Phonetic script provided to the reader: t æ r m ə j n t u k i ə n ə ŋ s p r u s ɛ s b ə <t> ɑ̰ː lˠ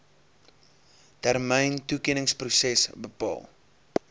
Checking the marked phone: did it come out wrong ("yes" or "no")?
yes